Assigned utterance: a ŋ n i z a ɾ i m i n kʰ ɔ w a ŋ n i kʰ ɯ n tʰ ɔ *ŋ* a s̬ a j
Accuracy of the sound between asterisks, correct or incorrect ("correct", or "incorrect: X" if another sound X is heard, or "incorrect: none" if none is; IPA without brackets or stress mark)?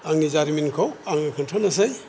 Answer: incorrect: n